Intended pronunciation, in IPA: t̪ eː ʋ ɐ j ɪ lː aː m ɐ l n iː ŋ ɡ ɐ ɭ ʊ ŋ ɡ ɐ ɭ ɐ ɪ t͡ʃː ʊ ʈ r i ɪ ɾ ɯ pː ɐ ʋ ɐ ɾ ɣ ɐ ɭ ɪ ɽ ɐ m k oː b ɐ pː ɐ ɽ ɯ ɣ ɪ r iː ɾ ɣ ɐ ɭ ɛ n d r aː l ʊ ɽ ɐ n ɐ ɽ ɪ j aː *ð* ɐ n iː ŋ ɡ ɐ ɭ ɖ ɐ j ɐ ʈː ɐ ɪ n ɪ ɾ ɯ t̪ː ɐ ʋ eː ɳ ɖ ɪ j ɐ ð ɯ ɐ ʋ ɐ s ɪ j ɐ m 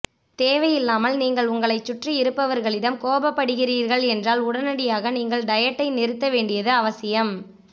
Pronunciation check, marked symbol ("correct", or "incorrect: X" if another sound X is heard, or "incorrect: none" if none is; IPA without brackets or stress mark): incorrect: ɣ